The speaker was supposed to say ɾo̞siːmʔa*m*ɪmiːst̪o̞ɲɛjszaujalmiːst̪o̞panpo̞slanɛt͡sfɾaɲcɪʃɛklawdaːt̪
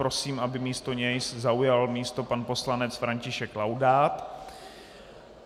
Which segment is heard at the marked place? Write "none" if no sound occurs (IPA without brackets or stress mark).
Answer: b